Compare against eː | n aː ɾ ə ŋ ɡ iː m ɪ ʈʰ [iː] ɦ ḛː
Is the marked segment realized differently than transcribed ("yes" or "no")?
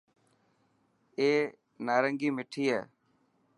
no